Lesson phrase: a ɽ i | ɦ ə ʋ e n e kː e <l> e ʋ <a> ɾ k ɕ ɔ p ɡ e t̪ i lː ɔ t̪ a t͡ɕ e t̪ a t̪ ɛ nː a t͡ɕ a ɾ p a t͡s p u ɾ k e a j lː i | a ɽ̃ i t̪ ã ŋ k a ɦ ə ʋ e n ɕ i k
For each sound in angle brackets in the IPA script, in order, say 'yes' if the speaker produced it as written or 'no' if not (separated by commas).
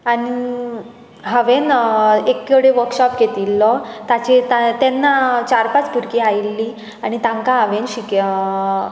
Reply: no, no